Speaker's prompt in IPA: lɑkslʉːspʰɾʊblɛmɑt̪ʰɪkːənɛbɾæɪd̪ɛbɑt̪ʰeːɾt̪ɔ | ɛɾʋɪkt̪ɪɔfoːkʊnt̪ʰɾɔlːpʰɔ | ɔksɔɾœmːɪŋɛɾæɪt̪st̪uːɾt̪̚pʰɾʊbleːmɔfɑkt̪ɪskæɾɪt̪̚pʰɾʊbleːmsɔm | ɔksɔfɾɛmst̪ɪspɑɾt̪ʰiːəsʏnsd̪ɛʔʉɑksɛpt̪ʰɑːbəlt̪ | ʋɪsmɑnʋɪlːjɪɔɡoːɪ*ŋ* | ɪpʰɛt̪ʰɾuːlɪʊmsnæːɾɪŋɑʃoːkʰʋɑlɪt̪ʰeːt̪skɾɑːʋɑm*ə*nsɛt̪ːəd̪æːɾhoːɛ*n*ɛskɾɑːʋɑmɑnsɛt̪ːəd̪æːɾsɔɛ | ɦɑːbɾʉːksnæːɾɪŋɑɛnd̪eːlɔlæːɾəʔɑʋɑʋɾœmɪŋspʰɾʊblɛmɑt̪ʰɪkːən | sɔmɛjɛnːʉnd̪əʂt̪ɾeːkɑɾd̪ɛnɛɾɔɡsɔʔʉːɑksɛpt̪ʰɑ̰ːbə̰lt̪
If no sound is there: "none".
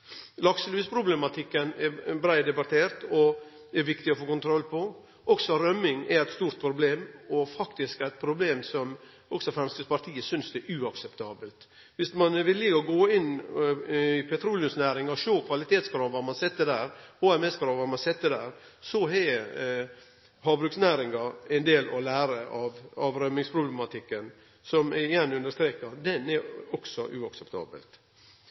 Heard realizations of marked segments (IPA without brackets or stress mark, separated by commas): n, ɑ, m